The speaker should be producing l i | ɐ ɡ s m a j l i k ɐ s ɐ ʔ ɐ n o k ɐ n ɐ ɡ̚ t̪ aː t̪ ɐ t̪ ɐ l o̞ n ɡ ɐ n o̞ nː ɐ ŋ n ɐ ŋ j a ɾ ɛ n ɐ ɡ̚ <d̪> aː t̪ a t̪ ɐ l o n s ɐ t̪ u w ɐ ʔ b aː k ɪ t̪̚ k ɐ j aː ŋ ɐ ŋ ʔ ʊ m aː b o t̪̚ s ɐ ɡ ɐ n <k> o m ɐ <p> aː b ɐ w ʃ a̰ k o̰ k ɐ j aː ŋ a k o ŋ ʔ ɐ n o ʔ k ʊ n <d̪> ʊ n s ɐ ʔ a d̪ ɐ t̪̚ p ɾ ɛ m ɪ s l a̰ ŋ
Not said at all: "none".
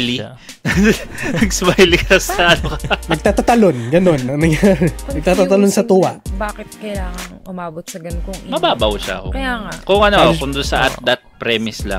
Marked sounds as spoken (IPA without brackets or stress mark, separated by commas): t̪, k, b, d̪